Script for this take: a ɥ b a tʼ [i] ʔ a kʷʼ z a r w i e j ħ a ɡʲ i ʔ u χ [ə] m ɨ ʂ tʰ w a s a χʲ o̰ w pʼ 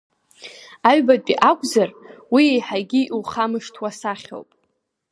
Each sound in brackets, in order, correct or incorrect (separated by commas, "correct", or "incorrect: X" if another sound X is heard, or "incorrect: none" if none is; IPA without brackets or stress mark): correct, incorrect: a